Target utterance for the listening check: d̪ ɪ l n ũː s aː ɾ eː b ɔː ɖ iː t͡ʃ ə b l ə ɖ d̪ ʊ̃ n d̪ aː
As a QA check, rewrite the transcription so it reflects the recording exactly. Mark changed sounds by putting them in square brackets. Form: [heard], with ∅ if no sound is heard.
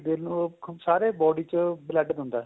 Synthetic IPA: d̪ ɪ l n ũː s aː ɾ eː b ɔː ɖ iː t͡ʃ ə b l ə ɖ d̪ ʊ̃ n d̪ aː